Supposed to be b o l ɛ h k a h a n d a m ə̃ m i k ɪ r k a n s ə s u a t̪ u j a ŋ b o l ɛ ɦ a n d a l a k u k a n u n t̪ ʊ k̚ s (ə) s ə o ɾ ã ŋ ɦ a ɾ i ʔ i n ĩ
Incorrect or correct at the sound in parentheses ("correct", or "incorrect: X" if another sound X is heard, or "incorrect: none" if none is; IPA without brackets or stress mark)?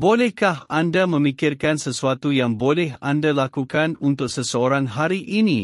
correct